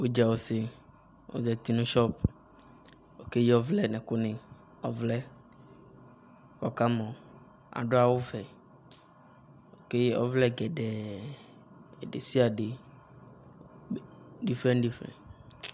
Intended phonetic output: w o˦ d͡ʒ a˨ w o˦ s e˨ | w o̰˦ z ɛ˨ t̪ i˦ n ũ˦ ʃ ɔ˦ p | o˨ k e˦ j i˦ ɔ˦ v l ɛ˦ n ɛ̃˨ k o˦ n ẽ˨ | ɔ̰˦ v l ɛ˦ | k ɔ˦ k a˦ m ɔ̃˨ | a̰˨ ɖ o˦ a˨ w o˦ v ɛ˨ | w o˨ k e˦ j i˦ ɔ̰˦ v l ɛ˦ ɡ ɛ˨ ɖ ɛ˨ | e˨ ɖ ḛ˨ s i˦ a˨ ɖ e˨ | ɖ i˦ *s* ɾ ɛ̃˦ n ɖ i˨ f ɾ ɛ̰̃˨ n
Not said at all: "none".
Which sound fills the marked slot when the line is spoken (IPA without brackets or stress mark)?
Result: f